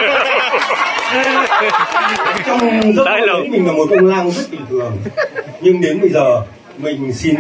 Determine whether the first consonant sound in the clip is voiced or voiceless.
voiceless